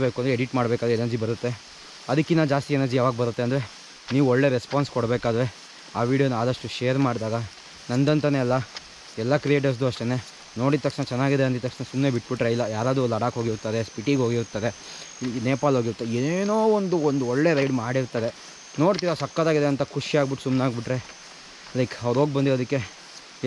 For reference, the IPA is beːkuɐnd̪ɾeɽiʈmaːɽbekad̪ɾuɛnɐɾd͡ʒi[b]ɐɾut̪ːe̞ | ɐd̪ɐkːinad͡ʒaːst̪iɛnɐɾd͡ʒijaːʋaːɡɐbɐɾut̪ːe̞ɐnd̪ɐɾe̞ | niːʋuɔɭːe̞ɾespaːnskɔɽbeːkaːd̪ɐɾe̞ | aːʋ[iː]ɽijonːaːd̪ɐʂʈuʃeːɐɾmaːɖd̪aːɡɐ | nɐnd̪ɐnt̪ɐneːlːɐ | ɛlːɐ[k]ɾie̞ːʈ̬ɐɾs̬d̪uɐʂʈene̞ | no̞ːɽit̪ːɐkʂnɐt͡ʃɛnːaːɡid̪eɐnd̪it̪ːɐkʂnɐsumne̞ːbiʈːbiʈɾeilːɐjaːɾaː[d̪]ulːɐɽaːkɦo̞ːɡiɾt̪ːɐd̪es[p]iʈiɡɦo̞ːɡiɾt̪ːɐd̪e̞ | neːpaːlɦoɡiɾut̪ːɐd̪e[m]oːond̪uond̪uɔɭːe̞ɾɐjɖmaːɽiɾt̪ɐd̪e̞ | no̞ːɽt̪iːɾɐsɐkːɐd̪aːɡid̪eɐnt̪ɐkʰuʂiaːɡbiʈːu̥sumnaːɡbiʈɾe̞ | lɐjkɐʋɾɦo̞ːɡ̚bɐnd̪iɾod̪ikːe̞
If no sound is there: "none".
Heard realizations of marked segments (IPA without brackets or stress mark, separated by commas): b, iː, k, d̪, p, n